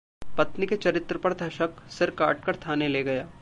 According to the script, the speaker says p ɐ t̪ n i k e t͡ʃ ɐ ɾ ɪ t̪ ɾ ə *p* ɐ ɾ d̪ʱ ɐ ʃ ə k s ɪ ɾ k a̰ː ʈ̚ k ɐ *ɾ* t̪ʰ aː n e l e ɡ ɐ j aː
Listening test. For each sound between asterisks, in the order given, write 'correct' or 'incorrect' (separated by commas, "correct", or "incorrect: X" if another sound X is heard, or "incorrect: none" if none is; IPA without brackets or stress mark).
correct, correct